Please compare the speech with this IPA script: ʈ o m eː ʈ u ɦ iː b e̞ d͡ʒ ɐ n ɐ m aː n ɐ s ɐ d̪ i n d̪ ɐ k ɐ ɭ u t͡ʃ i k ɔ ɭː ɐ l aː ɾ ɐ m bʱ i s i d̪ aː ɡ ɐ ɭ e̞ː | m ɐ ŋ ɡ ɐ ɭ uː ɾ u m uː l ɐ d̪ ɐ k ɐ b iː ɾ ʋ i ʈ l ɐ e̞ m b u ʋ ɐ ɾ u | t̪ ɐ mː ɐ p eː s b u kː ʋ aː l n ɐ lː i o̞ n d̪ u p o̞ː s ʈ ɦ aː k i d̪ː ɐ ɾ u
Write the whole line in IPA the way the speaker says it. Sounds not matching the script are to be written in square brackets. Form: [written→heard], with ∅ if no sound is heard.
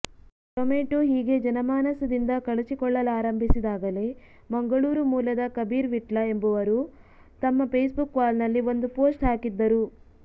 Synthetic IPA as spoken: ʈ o m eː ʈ u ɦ iː [b→ɡ] e̞ d͡ʒ ɐ n ɐ m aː n ɐ s ɐ d̪ i n d̪ ɐ k ɐ ɭ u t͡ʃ i k ɔ ɭː ɐ l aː ɾ ɐ m bʱ i s i d̪ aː ɡ ɐ [ɭ→l] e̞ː | m ɐ ŋ ɡ ɐ ɭ uː ɾ u m uː l ɐ d̪ ɐ k ɐ b iː ɾ ʋ i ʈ l ɐ e̞ m b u ʋ ɐ ɾ u | t̪ ɐ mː ɐ p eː s b u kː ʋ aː l n ɐ lː i o̞ n d̪ u p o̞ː s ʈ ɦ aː k i d̪ː ɐ ɾ u